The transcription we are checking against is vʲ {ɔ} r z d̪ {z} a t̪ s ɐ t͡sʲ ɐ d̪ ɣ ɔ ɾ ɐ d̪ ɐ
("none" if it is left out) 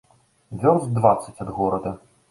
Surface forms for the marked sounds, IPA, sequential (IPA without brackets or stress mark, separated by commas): ɔ, v